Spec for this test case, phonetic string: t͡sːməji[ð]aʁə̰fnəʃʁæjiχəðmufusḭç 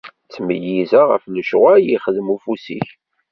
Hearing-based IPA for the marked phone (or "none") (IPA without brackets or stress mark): z